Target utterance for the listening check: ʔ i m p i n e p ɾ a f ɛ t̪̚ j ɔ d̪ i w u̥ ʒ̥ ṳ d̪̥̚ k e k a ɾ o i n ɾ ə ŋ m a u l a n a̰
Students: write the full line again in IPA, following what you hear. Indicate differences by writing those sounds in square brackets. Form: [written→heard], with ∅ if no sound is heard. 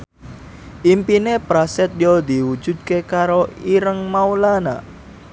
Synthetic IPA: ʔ i m p i n e p ɾ a [f→s] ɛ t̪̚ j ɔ d̪ i w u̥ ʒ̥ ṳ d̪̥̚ k e k a ɾ o i [n→∅] ɾ ə ŋ m a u l a n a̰